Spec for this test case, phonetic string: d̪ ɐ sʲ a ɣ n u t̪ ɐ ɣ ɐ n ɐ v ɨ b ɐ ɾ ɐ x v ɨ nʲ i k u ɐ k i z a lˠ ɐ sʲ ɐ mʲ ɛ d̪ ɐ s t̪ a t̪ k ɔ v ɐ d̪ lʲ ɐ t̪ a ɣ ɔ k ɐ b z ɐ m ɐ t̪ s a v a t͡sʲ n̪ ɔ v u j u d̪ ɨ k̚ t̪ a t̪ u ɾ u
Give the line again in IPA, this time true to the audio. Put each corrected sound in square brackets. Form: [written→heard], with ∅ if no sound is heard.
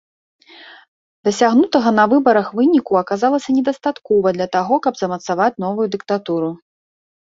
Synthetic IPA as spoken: d̪ ɐ sʲ a ɣ n u t̪ ɐ ɣ ɐ n ɐ v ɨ b ɐ ɾ ɐ x v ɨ nʲ i k u ɐ k [i→a] z a lˠ ɐ sʲ ɐ [mʲ→nʲ] ɛ d̪ ɐ s t̪ a t̪ k ɔ v ɐ d̪ lʲ ɐ t̪ a ɣ ɔ k ɐ b z ɐ m ɐ t̪ s a v a t͡sʲ n̪ ɔ v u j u d̪ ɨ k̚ t̪ a t̪ u ɾ u